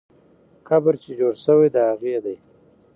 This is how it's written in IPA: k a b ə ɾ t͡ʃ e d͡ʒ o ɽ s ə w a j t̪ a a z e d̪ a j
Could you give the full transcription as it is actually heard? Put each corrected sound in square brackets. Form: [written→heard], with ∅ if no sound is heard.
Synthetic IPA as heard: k a b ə ɾ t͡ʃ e d͡ʒ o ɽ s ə w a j [t̪→d̪] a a [z→ɣ] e d̪ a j